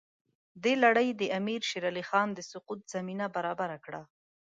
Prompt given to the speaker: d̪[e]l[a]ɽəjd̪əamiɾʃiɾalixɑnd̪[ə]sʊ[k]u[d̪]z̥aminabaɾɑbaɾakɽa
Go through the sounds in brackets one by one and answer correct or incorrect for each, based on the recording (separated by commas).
correct, correct, correct, incorrect, incorrect